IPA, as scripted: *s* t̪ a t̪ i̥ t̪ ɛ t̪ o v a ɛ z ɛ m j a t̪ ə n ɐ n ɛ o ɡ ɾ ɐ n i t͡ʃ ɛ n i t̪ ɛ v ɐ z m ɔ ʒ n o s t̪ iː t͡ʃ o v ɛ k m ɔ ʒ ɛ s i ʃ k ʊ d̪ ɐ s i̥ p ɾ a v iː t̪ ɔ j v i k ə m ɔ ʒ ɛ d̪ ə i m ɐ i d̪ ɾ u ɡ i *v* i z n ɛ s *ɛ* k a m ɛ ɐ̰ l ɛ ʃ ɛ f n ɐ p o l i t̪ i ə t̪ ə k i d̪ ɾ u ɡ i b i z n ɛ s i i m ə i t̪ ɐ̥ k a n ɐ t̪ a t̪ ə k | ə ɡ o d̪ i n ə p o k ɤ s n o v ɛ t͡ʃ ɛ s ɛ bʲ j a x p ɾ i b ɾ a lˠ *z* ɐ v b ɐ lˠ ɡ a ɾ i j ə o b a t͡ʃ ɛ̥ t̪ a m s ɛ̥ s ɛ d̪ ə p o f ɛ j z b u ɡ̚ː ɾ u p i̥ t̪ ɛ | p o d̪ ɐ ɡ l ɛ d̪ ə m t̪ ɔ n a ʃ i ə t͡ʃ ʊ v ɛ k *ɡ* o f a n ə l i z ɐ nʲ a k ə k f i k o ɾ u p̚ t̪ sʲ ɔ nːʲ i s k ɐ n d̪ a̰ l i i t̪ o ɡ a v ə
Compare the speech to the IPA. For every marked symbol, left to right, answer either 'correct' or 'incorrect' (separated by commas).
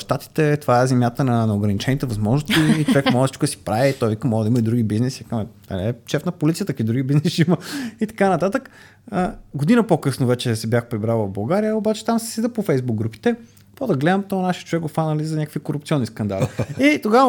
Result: incorrect, incorrect, incorrect, incorrect, correct